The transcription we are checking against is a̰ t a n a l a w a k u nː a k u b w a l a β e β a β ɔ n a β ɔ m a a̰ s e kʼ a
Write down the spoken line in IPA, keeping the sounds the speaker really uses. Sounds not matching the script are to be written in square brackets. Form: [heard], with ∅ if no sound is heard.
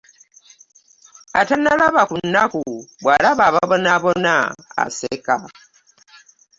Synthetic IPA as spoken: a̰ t a n a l a [β] a k u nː a k u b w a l a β [a] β a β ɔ n a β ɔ [n] a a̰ s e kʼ a